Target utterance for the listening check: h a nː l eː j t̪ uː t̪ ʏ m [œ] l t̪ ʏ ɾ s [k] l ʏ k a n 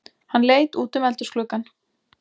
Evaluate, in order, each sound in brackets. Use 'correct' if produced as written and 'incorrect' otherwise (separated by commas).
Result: incorrect, correct